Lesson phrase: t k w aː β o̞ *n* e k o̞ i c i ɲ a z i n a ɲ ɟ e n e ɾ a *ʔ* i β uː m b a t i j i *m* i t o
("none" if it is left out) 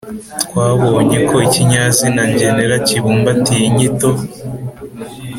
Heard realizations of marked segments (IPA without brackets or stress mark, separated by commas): ɲ, c, ɲ